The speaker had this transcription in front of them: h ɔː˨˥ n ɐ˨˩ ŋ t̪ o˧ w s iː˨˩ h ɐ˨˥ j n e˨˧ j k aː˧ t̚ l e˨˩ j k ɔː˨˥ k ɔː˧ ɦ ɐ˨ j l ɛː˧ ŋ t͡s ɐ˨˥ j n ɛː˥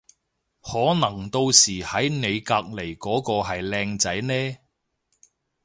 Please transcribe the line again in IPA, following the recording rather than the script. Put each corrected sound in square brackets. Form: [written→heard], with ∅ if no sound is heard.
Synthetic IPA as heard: h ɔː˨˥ n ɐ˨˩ ŋ t̪ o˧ w s iː˨˩ h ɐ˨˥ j n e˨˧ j k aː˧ [t̚→k̚] l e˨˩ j k ɔː˨˥ k ɔː˧ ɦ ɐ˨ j l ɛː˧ ŋ t͡s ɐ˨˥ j n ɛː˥